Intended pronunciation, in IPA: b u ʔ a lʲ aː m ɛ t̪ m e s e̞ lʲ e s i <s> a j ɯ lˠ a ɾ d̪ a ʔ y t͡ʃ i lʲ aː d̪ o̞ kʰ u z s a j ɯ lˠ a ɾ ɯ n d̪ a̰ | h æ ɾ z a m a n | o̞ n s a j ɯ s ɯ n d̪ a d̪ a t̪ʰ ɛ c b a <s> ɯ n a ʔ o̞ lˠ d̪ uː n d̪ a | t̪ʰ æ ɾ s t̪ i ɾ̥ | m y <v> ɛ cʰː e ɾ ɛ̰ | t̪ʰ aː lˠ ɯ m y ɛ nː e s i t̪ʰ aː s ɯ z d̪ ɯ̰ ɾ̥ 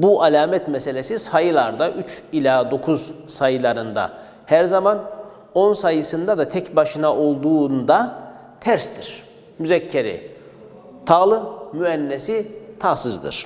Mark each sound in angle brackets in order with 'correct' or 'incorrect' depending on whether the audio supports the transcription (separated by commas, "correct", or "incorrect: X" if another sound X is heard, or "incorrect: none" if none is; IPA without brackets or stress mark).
correct, incorrect: ʃ, incorrect: z